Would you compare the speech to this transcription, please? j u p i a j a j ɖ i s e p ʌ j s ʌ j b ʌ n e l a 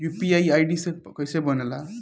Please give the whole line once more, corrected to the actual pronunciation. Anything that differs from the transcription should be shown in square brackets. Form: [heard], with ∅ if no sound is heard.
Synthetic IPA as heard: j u p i a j a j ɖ i s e [k] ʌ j s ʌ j b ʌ n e l a